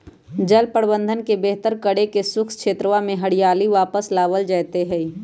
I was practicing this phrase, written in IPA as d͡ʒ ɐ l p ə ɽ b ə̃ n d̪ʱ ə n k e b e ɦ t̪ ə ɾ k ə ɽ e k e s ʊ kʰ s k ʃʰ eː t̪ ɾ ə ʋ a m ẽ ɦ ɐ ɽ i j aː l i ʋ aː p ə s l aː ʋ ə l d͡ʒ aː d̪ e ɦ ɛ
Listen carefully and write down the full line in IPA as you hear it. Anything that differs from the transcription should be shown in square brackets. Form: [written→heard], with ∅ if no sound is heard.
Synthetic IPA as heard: d͡ʒ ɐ l p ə ɽ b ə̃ n d̪ʱ ə n k e b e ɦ t̪ ə ɾ k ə ɽ e k e s ʊ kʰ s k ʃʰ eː t̪ ɾ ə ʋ a m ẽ ɦ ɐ ɽ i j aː l i ʋ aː p ə s l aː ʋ ə l d͡ʒ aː [d̪→t̪] e ɦ ɛ